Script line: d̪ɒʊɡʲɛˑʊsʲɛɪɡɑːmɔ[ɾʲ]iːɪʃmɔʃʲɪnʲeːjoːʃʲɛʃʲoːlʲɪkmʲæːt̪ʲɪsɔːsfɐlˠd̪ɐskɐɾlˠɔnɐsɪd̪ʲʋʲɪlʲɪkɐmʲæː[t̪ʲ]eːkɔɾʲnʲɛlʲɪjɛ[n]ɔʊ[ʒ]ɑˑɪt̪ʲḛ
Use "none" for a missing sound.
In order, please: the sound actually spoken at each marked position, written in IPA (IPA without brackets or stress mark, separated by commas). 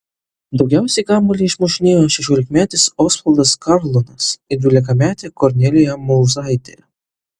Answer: lʲ, t̪ʲ, m, z